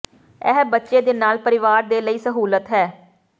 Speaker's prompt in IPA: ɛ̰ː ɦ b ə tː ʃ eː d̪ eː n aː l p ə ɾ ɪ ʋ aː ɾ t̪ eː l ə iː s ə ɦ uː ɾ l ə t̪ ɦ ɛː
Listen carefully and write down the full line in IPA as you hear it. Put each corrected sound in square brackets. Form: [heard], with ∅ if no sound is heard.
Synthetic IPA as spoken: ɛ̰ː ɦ b ə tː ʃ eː d̪ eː n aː l p ə ɾ ɪ ʋ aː ɾ [d̪] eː l ə iː s ə ɦ uː [∅] l ə t̪ ɦ ɛː